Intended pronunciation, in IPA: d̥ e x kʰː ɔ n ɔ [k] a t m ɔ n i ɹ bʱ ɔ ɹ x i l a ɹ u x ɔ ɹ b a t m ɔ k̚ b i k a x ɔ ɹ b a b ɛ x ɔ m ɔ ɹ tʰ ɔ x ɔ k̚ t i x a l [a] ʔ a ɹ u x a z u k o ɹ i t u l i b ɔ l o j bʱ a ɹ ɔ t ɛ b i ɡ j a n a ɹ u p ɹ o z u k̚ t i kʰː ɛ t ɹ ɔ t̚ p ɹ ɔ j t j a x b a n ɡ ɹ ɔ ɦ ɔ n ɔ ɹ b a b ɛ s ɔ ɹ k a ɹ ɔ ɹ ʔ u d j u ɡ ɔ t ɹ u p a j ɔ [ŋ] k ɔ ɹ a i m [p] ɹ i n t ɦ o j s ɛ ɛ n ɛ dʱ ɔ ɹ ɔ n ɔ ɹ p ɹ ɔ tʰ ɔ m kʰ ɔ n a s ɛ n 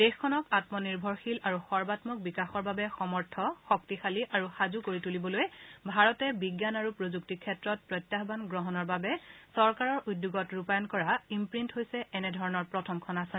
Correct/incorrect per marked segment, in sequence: correct, incorrect, incorrect, correct

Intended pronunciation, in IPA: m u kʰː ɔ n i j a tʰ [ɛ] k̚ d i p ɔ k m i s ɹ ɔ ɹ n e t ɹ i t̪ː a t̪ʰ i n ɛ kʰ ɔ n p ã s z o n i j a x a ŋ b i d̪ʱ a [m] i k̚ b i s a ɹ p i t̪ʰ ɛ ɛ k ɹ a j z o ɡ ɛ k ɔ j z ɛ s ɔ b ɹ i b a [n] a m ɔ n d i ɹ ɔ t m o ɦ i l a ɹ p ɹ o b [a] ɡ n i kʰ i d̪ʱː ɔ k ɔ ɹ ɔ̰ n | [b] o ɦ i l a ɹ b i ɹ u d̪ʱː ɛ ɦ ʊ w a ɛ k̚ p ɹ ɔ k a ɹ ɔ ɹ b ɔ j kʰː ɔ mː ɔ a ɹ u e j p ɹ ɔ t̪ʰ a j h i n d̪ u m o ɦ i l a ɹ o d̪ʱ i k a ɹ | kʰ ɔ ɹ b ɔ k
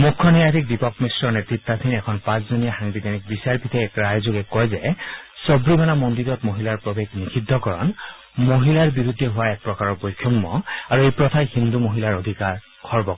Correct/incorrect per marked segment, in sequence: incorrect, incorrect, correct, incorrect, incorrect

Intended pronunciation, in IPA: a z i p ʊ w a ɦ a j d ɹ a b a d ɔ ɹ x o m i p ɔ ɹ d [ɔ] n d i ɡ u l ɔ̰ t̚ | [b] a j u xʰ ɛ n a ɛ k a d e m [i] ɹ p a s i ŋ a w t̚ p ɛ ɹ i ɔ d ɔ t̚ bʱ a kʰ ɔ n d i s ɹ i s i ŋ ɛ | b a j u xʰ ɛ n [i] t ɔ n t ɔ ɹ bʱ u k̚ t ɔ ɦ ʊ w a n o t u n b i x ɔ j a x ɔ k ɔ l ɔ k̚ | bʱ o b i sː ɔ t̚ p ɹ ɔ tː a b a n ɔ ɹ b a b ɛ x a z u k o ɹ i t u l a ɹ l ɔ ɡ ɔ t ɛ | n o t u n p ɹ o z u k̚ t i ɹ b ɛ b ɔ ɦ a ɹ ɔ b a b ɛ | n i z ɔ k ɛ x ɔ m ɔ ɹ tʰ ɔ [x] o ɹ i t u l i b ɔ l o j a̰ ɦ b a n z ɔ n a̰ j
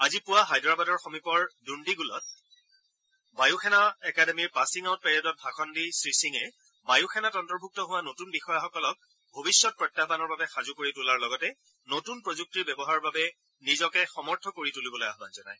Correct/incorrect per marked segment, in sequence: incorrect, correct, correct, incorrect, incorrect

